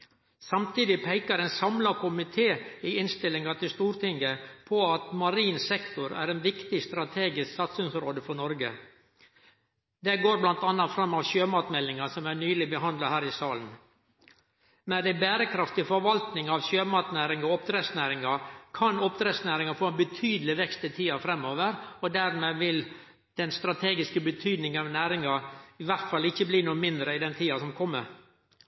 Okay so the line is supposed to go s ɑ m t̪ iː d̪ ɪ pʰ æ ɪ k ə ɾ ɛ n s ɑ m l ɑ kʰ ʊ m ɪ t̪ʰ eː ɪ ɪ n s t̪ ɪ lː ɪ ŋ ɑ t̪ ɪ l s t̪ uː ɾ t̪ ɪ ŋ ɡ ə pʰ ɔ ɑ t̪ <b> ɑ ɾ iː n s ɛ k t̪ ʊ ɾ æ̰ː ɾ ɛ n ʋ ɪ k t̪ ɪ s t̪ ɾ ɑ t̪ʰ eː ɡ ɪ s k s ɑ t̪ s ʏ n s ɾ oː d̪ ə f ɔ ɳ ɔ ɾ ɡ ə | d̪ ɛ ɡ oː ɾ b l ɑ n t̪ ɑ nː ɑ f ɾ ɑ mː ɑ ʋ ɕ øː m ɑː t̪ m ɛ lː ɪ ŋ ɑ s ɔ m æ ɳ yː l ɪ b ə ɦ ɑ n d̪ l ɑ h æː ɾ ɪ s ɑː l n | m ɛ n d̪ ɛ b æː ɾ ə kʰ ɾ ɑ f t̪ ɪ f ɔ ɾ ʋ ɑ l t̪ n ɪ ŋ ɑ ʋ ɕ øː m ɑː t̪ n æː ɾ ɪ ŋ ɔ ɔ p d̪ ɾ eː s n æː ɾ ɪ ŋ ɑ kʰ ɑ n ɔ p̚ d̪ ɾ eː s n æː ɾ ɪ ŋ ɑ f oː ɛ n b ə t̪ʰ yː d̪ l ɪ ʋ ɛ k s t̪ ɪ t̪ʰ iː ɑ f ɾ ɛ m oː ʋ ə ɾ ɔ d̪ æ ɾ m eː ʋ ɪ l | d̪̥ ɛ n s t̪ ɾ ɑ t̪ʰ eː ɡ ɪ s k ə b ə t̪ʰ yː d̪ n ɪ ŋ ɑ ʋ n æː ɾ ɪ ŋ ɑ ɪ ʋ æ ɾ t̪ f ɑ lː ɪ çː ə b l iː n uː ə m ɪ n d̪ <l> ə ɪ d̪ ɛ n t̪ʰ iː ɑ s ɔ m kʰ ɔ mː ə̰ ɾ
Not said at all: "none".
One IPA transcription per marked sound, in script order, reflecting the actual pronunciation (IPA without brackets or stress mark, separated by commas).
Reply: m, ɾ